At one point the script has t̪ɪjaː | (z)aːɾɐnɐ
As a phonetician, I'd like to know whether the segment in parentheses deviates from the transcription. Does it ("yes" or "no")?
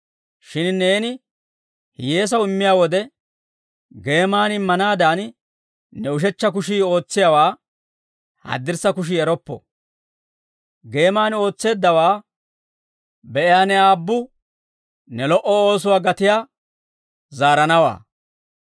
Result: no